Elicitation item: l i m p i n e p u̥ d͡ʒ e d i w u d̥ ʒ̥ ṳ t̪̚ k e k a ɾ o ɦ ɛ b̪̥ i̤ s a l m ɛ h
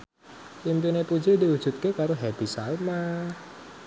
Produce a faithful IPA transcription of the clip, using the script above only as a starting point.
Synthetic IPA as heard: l i m p i n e p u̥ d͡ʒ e d i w u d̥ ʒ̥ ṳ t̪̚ k e k a ɾ o ɦ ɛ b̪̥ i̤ s a l m a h